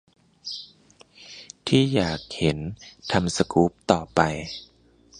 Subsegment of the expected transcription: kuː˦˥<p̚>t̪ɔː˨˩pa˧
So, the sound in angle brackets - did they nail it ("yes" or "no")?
yes